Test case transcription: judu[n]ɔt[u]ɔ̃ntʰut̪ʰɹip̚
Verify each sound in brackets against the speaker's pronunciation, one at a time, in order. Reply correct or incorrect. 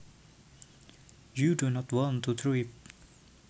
correct, incorrect

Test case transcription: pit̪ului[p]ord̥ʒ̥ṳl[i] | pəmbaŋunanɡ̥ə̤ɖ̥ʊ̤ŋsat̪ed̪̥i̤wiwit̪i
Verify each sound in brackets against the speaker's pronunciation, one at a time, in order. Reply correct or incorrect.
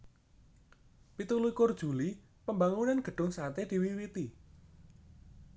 incorrect, correct

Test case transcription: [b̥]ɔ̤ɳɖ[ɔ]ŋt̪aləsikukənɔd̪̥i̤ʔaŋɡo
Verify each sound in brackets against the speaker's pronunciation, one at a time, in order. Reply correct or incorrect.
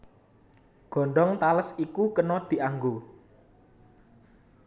incorrect, correct

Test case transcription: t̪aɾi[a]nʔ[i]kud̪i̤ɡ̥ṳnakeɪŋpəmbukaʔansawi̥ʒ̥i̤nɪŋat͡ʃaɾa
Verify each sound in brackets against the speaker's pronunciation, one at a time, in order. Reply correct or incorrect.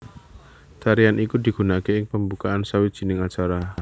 correct, correct

